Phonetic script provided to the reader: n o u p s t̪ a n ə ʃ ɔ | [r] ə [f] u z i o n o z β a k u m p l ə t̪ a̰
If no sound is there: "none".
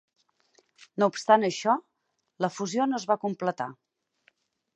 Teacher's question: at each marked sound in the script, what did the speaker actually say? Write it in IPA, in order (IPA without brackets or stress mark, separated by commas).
l, f